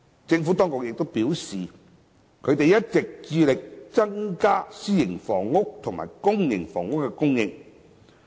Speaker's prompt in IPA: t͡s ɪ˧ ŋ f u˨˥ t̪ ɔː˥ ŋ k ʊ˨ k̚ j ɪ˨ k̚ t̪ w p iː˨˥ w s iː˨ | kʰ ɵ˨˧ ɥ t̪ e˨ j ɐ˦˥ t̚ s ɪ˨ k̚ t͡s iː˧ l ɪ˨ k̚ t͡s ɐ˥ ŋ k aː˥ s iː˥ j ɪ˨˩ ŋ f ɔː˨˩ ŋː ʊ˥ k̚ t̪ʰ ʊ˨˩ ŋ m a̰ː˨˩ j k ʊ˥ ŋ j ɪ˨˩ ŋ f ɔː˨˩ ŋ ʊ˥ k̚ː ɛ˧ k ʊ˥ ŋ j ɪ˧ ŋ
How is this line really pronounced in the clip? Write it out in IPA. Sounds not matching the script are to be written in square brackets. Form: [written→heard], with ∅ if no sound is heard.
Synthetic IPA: t͡s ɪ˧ ŋ f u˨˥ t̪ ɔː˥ ŋ k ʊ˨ k̚ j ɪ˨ k̚ t̪ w p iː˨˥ w s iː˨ | kʰ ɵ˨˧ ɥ t̪ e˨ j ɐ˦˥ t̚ [s→t͡s] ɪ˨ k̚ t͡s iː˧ l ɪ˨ k̚ t͡s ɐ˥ ŋ k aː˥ s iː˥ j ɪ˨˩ ŋ f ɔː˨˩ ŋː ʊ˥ k̚ t̪ʰ ʊ˨˩ ŋ m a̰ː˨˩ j k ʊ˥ ŋ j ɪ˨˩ ŋ f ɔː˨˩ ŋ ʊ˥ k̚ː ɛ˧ k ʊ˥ ŋ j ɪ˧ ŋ